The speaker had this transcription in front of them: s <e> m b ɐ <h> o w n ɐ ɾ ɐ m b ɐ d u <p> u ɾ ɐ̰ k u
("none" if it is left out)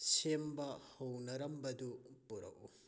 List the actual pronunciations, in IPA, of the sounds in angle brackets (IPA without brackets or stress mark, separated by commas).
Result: e, h, p